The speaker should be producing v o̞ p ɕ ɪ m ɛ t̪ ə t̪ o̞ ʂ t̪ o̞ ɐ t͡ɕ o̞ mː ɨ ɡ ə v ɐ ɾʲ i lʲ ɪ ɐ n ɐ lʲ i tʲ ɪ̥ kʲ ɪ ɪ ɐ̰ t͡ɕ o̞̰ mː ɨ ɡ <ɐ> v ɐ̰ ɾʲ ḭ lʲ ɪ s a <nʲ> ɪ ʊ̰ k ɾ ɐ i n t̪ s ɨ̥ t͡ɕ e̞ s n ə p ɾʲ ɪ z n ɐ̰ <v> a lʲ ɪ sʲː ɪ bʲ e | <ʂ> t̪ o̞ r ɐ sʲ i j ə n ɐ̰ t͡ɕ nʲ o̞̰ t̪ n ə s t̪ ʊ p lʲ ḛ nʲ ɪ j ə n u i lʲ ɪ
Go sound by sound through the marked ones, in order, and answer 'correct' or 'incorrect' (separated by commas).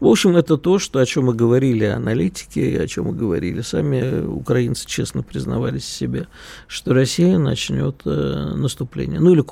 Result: incorrect, incorrect, correct, correct